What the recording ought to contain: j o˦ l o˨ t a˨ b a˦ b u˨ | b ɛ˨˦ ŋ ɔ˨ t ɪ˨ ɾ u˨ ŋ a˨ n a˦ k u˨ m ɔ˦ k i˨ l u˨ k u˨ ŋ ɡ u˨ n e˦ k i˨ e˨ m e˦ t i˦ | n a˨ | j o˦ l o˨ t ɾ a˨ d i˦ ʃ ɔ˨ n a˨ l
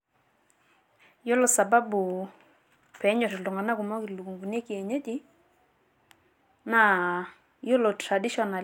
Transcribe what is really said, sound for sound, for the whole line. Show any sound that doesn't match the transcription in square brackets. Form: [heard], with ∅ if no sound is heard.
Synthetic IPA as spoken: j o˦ l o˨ [s] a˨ b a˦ b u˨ | [p] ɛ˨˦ [ɲ] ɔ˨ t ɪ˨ [l] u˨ ŋ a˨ n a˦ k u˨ m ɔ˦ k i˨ l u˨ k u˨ ŋ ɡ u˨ n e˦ k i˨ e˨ [ɲ] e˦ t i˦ | n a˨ | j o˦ l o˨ t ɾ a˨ d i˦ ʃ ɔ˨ n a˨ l